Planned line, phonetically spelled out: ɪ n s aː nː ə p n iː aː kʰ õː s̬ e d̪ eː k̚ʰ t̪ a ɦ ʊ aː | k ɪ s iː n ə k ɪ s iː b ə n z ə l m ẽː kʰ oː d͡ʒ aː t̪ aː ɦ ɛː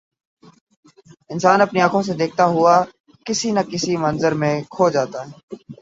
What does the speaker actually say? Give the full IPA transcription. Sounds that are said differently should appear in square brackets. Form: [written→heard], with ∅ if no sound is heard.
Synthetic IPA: ɪ n s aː [nː→n] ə p n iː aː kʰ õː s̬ e d̪ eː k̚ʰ t̪ a ɦ ʊ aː | k ɪ s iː n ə k ɪ s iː [b→m] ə n z ə [l→ɾ] m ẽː kʰ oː d͡ʒ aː t̪ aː ɦ ɛː

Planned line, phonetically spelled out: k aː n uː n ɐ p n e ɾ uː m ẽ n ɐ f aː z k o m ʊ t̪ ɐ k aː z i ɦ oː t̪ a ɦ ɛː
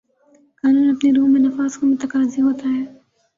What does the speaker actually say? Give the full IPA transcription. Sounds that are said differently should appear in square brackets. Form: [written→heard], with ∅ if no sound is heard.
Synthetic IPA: k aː n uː n ɐ p n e ɾ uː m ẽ n ɐ f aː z k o m ʊ t̪ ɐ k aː z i ɦ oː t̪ a ɦ ɛː

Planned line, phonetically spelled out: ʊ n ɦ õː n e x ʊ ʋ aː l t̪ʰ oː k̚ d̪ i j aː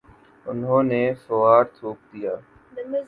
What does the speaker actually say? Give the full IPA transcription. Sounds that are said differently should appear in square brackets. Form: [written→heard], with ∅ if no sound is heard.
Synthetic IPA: ʊ n ɦ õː n e [x→f] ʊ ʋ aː [l→ɾ] t̪ʰ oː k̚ d̪ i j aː

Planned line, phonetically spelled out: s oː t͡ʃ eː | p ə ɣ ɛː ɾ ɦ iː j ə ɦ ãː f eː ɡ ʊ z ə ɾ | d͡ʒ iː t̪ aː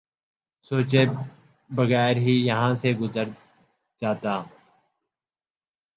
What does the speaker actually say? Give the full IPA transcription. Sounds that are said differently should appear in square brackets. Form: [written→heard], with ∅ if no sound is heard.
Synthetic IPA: s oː t͡ʃ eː | [p→b] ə ɣ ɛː ɾ ɦ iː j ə ɦ ãː [f→s] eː ɡ ʊ z ə ɾ | d͡ʒ [iː→aː] t̪ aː

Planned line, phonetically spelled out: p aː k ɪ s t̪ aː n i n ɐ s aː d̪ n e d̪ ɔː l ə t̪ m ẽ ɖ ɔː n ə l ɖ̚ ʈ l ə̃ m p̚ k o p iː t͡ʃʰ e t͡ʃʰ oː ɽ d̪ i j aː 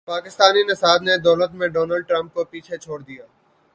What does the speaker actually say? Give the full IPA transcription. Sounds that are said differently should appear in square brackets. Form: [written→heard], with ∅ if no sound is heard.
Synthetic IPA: p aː k ɪ s t̪ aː n i n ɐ s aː d̪ n e d̪ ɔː l ə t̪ m ẽ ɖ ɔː n ə l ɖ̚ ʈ [l→ɾ] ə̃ m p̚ k o p iː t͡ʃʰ e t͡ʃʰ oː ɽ d̪ i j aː

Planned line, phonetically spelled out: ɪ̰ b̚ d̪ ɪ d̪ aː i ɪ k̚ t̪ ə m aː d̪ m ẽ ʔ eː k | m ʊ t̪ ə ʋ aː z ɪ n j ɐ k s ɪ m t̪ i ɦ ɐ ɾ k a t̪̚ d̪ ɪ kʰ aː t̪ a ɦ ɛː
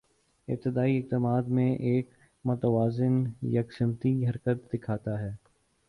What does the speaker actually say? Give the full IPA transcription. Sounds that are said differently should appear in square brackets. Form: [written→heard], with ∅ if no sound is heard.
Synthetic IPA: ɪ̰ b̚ [d̪→t̪] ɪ d̪ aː i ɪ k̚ t̪ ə m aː d̪ m ẽ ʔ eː k | m ʊ t̪ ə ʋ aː z ɪ n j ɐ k s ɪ m t̪ i ɦ ɐ ɾ k [a→ə] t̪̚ d̪ ɪ kʰ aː t̪ a ɦ ɛː

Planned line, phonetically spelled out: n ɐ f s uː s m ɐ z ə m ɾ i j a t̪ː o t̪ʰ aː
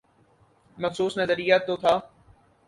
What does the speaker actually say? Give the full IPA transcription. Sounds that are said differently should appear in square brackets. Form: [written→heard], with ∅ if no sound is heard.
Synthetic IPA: [n→m] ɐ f s uː s [m→n] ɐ z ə [m→∅] ɾ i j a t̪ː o t̪ʰ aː

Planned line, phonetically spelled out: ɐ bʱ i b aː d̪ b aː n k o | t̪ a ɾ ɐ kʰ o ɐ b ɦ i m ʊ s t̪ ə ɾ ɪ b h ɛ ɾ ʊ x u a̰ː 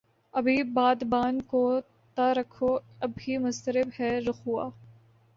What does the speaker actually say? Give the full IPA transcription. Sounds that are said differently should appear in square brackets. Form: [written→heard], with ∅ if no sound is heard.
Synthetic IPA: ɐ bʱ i b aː d̪ b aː n k o | t̪ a ɾ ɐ kʰ o ɐ b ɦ i m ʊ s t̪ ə ɾ ɪ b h ɛ ɾ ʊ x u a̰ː

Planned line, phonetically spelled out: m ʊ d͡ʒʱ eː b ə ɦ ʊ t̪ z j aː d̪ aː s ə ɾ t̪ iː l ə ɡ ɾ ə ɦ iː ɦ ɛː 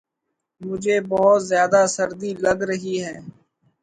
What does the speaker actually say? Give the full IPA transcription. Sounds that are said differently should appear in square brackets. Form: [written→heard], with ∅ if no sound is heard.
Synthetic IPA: m ʊ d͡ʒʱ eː b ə ɦ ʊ t̪ z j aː d̪ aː s ə ɾ [t̪→d̪] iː l ə ɡ ɾ ə ɦ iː ɦ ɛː

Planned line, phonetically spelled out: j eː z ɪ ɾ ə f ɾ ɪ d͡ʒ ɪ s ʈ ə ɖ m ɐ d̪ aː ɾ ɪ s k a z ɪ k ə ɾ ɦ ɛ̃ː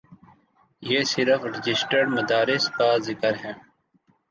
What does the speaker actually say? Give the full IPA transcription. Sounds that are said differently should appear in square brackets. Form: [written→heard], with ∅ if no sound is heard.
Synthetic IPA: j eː [z→s] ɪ ɾ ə f ɾ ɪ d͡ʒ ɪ s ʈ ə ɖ m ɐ d̪ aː ɾ ɪ s k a z ɪ k ə ɾ ɦ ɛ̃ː

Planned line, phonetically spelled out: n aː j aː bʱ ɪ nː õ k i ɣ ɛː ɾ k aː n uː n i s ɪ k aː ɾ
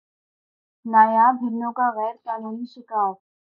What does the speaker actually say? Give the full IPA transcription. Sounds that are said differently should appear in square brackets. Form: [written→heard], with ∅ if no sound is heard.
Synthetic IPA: n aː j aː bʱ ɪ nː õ k [i→a] ɣ ɛː ɾ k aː n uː n i [s→ʃ] ɪ k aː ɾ

